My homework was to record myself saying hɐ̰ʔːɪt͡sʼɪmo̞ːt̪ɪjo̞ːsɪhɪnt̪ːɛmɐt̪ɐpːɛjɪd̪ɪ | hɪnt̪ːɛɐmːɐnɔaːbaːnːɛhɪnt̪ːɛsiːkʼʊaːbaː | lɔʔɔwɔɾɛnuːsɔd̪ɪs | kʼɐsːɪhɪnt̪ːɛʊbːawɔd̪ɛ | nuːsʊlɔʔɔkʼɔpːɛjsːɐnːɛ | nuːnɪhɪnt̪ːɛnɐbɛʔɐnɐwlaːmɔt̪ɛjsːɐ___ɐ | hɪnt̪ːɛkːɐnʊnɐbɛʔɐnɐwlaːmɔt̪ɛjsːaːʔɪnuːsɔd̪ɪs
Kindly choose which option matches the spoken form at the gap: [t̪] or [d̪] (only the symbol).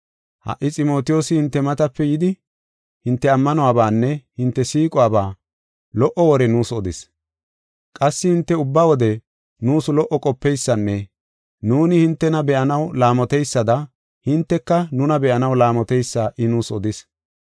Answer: d̪